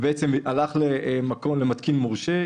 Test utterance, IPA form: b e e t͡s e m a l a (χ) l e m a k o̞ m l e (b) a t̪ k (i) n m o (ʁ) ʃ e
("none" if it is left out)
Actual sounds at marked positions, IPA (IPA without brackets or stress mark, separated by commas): χ, m, i, ʁ